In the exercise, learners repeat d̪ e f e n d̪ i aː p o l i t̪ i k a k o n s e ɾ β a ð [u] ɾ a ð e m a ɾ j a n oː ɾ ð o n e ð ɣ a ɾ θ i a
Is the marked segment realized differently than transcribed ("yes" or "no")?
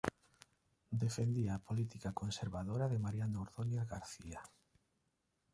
yes